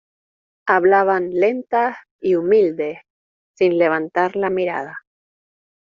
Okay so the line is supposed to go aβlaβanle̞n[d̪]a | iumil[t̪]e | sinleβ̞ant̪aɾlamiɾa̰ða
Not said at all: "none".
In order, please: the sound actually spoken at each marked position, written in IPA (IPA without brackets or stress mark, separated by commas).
t̪, d̪